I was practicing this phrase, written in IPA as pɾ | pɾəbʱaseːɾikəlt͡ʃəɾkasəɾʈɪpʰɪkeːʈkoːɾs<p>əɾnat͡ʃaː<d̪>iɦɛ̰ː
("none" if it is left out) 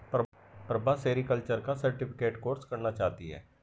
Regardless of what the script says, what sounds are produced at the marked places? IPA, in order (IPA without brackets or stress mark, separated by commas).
k, t̪